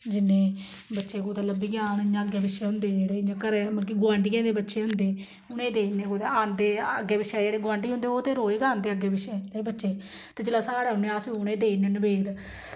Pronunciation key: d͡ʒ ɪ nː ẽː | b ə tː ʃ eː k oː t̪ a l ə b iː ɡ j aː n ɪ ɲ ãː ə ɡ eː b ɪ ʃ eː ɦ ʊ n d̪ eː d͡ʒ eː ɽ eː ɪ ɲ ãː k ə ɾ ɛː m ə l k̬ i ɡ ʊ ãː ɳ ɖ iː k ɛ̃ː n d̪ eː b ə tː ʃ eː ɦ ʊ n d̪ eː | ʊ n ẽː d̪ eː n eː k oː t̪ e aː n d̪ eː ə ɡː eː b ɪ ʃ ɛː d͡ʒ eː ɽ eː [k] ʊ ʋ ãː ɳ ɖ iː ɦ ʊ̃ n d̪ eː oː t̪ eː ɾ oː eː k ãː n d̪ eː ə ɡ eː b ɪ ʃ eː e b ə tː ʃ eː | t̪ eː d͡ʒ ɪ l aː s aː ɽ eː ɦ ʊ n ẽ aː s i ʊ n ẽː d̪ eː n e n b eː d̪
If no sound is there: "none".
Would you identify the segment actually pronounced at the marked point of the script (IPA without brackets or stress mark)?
ɡ